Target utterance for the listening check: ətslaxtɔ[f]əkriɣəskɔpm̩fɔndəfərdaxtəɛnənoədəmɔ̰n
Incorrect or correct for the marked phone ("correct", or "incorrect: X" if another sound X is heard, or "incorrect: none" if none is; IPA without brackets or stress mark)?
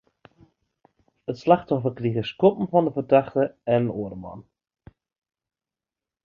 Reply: correct